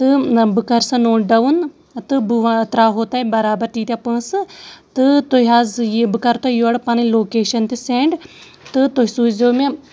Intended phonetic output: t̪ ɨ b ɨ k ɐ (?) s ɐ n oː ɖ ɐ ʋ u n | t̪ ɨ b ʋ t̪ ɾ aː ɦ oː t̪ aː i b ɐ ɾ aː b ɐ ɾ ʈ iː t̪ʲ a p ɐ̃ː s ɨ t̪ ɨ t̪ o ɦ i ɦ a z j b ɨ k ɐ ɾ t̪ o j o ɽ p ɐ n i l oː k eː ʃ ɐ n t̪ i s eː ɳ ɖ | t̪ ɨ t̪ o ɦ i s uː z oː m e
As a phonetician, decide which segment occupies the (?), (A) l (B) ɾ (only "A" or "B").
B